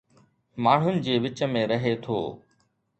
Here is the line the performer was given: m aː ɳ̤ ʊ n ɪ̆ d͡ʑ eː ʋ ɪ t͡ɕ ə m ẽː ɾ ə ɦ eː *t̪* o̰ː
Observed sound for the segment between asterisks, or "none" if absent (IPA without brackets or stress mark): t̪ʰ